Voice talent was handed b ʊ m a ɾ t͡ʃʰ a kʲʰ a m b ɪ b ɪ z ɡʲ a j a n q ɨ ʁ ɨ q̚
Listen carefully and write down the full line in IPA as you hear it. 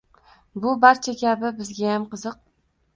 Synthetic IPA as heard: b ʊ b a ɾ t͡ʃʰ a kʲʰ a b ɪ b ɪ z ɡʲ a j a m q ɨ z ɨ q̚